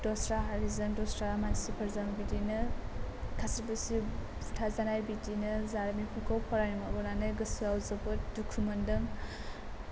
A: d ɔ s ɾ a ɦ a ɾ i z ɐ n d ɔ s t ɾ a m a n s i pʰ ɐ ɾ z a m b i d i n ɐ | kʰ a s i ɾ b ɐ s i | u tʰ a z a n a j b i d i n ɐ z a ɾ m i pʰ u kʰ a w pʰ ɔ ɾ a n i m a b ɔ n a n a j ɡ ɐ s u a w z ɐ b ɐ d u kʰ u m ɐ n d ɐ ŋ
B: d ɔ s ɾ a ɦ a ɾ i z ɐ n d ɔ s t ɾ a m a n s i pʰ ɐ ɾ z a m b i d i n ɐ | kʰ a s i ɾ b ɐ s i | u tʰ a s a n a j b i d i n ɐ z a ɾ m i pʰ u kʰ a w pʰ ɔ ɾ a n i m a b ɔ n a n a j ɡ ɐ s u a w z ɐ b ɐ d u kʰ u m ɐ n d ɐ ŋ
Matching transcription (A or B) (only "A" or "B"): A